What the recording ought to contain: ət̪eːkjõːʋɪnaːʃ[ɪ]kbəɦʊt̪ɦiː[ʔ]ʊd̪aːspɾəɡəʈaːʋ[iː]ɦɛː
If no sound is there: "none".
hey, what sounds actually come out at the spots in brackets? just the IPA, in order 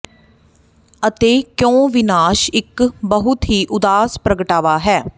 ɪ, ʔ, aː

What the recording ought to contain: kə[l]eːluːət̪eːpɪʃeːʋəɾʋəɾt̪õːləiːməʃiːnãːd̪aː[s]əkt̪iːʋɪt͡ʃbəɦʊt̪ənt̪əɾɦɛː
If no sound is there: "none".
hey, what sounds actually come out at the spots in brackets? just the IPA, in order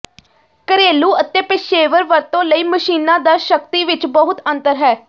ɾ, ʃ

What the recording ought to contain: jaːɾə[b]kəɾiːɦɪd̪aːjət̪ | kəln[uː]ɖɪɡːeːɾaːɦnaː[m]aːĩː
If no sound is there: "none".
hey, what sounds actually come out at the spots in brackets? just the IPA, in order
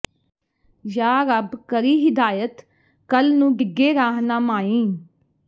b, ũː, m

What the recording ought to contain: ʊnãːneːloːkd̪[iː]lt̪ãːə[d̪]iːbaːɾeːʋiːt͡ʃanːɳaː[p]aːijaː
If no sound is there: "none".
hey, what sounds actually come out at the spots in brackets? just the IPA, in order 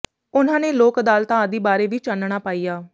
aː, d̪, p

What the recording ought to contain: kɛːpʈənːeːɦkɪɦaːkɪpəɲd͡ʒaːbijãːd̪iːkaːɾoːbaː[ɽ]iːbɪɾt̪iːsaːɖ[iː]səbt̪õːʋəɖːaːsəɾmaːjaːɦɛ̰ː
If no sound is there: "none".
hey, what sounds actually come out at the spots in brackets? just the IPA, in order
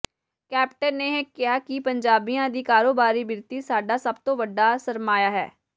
ɾ, aː

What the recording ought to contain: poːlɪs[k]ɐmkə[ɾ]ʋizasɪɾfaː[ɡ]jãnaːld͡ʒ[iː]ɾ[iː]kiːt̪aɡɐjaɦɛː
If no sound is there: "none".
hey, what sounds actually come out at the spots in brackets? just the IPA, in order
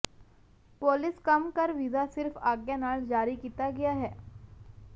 k, ɾ, ɡ, aː, i

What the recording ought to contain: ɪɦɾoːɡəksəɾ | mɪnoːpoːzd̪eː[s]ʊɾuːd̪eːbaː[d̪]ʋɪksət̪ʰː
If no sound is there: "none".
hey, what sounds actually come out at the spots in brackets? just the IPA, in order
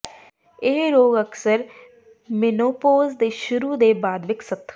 ʃ, d̪

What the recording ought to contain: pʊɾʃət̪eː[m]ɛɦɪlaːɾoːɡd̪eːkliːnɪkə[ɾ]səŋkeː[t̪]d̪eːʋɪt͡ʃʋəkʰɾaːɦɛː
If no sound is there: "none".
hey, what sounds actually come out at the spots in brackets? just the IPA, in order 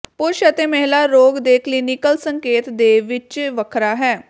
m, l, t̪

